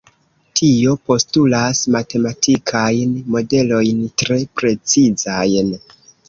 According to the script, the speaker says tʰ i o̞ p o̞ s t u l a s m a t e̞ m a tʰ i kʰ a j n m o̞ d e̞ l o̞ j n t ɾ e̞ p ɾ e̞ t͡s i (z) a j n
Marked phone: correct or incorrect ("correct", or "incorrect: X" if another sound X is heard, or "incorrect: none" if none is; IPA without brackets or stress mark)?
correct